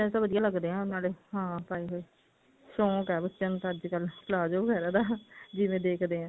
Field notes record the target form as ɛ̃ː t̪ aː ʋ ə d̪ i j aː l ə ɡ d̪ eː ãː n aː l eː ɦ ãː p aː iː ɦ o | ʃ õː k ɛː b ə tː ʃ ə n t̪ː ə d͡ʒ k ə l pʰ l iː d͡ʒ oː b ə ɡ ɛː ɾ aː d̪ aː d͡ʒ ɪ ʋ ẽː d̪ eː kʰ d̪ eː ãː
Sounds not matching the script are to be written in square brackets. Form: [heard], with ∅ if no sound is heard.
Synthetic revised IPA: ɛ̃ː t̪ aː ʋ ə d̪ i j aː l ə ɡ d̪ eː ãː n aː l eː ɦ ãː p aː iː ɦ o | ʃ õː k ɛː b ə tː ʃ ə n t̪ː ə d͡ʒ k ə l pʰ l [aː] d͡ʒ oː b ə ɡ ɛː ɾ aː d̪ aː d͡ʒ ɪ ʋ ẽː d̪ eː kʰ d̪ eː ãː